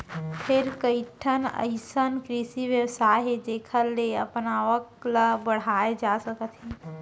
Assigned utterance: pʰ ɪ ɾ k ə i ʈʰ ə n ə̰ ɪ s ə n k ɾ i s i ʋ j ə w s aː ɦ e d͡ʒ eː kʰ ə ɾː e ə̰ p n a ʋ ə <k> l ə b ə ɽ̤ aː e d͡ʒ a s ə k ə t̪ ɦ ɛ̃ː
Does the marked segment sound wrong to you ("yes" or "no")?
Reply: no